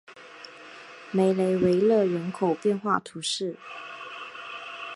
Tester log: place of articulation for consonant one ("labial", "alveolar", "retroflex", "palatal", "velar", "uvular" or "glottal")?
labial